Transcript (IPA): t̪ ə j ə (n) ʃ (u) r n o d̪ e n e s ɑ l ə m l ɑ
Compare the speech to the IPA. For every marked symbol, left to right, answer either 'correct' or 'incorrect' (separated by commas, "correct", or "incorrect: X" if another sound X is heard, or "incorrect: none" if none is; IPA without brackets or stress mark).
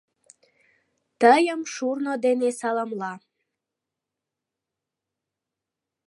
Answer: incorrect: m, correct